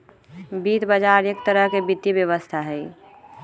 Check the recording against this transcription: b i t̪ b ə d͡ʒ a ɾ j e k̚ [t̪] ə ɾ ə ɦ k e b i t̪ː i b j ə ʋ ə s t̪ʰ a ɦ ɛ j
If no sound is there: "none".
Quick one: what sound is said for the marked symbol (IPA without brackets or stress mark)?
t̪